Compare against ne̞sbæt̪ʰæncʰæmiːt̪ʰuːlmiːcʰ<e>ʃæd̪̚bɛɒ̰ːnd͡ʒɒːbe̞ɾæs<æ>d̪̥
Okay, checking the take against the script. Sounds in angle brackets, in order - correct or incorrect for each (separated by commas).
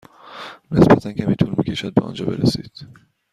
correct, incorrect